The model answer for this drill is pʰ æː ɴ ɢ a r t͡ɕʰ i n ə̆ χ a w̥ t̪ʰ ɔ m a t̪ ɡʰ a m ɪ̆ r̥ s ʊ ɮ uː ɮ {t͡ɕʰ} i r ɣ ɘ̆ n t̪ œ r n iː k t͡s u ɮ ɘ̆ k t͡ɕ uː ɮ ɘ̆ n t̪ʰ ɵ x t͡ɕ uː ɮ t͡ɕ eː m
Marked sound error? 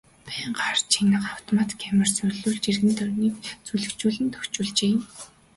yes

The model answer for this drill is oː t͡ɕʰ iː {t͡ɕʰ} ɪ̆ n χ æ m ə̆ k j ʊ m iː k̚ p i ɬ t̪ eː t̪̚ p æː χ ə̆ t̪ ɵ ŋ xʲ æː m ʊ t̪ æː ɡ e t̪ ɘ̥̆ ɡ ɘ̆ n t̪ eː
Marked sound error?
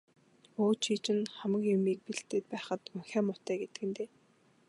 yes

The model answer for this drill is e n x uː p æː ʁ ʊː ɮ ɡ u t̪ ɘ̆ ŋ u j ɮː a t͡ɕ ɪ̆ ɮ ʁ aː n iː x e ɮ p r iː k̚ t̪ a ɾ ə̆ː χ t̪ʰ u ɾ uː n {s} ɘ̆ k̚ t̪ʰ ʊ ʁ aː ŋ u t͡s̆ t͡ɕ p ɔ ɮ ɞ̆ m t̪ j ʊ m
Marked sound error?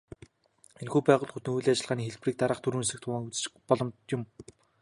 no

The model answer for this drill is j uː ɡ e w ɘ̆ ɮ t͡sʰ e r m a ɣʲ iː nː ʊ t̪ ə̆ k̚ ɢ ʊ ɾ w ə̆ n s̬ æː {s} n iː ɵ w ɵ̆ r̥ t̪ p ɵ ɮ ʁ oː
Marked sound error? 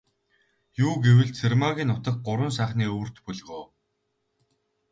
yes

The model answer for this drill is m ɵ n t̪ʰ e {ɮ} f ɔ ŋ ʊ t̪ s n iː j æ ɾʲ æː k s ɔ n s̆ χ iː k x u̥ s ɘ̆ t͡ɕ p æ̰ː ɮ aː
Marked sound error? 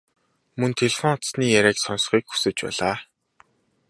no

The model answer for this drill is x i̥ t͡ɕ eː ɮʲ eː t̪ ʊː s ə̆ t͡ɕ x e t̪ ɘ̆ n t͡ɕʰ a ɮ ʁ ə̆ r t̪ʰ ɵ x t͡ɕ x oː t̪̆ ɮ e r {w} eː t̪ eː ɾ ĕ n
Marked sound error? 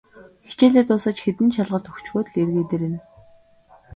yes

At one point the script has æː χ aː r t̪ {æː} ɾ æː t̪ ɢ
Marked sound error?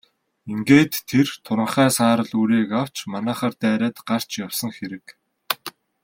no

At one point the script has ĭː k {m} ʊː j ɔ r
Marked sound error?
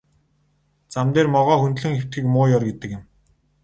no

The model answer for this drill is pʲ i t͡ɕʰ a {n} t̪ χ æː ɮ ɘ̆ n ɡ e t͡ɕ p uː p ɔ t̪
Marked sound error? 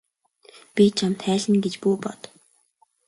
yes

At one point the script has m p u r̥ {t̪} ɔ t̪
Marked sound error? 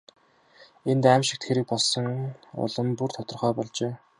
yes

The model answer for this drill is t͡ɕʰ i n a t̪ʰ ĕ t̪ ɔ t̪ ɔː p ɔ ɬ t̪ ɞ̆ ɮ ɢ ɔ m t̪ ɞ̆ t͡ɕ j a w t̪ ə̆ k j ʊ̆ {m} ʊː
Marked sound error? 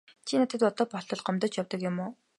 no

